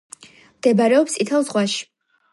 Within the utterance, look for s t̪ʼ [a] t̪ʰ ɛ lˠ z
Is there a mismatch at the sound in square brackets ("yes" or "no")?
yes